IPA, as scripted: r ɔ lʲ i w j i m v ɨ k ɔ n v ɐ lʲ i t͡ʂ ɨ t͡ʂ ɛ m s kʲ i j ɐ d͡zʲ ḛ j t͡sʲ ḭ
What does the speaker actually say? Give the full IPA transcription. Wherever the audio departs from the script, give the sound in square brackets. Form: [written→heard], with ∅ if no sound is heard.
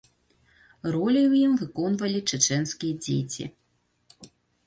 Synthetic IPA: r ɔ lʲ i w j i m v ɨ k ɔ n v ɐ lʲ i t͡ʂ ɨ t͡ʂ ɛ [m→n] s kʲ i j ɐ d͡zʲ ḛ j t͡sʲ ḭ